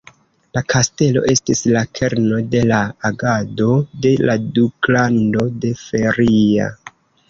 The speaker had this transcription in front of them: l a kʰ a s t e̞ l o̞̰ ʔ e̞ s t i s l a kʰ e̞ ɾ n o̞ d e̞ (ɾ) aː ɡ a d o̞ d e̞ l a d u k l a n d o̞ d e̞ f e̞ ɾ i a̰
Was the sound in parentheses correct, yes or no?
no